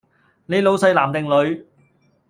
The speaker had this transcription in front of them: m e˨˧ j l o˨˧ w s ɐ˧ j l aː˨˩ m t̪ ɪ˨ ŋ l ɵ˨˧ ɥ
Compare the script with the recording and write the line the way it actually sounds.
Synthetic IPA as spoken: n e˨˧ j l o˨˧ w s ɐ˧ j l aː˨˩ m t̪ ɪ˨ ŋ l ɵ˨˧ ɥ

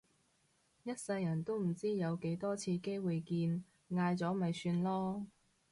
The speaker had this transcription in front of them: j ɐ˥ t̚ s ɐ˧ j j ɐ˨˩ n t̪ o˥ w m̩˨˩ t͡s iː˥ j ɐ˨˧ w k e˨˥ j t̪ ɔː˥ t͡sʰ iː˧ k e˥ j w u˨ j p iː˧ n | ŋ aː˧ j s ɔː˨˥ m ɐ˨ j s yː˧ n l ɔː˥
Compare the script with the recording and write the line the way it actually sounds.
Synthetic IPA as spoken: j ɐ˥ t̚ s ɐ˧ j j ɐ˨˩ n t̪ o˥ w m̩˨˩ t͡s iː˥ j ɐ˨˧ w k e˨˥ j t̪ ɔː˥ t͡sʰ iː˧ k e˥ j w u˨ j k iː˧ n | ŋ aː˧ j t͡s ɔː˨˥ m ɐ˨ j s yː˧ n l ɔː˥

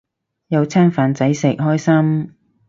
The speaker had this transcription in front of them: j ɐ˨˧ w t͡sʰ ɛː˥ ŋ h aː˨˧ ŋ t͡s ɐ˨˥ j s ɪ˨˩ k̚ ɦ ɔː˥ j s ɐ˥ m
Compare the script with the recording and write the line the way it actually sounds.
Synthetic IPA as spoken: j ɐ˨˧ w t͡sʰ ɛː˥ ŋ f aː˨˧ n t͡s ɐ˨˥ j s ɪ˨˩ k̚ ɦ ɔː˥ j s ɐ˥ m

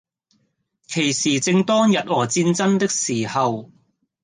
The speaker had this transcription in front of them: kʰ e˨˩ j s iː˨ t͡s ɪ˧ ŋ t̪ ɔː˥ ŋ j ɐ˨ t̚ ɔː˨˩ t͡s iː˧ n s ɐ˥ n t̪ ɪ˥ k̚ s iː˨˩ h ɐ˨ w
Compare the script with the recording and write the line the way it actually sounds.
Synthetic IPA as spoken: kʰ e˨˩ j s iː˨ t͡s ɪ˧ ŋ t̪ ɔː˥ ŋ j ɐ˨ t̚ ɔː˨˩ t͡s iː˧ n t͡s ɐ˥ n t̪ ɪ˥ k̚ s iː˨˩ h ɐ˨ w

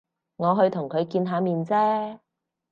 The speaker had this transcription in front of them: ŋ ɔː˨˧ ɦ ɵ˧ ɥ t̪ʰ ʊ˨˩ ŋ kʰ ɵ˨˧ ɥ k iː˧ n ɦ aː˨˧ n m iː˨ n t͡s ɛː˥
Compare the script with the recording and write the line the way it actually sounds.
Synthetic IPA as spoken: ŋ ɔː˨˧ ɦ ɵ˧ ɥ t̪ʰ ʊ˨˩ ŋ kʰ ɵ˨˧ ɥ k iː˧ n ɦ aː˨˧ m iː˨ n t͡s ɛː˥

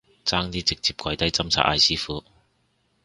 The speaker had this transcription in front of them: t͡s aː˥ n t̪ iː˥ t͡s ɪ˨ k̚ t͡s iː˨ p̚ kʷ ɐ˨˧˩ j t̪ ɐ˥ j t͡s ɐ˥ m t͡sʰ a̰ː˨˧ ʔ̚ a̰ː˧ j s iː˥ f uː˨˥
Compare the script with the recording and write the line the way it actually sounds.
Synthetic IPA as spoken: t͡s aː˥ ŋ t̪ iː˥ t͡s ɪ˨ k̚ t͡s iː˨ p̚ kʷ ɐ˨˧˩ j t̪ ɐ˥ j t͡s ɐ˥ m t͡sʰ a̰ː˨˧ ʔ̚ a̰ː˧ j s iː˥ f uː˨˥

